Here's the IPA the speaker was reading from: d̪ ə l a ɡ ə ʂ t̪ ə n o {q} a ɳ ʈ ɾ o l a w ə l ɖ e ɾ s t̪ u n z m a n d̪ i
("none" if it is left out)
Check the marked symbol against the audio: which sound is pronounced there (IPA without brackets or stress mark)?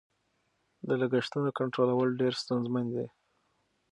k